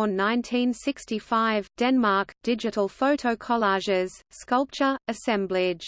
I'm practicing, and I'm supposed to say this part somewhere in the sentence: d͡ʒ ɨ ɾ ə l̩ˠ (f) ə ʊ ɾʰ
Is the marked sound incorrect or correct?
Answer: correct